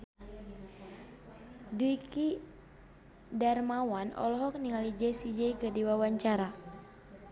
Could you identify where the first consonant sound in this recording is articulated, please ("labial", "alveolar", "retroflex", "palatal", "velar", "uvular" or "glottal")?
alveolar